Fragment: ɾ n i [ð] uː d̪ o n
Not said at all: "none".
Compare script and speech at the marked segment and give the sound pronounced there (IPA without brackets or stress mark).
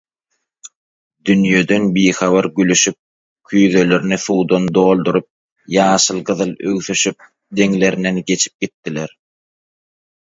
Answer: θ